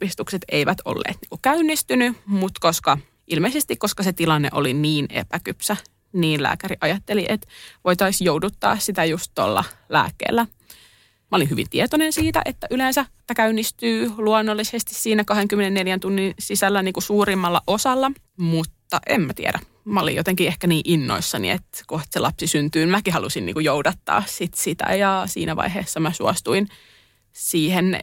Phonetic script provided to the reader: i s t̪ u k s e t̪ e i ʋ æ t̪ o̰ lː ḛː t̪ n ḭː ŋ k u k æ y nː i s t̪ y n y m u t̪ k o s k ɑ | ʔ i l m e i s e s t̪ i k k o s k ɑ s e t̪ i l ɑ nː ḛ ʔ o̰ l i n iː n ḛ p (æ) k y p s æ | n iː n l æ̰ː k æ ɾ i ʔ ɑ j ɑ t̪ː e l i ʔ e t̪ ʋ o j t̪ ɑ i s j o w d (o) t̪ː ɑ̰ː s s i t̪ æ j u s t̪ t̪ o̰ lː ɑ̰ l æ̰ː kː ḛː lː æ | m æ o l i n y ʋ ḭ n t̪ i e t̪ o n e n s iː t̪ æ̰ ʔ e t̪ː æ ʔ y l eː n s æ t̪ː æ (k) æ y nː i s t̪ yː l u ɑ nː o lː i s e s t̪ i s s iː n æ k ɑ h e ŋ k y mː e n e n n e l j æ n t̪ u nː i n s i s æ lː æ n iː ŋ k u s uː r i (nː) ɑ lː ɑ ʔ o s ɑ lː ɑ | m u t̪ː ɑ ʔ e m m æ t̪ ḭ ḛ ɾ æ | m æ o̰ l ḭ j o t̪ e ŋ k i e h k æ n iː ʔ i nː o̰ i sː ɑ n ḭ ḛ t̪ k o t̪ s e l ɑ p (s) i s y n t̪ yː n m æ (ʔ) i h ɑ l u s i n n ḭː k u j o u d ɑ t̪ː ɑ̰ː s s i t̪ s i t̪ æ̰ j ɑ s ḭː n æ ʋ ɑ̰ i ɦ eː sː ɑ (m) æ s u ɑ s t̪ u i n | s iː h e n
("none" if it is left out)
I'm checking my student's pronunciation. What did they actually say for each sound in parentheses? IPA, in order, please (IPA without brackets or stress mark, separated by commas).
æ, u, k, mː, s, k, m